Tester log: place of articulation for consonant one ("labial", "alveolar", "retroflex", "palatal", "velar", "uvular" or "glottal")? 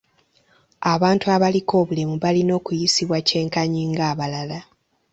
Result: labial